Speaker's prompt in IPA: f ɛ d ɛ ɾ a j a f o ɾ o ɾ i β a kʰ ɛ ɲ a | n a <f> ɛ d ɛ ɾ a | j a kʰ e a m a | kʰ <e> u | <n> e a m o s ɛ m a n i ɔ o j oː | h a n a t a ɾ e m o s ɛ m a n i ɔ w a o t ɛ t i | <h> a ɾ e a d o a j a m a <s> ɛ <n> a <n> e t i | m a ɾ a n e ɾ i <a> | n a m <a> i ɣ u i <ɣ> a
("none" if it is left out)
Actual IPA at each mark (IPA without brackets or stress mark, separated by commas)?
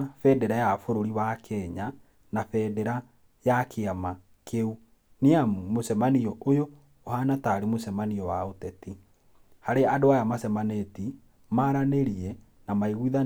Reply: f, e, n, h, s, m, n, ɛ, a, ð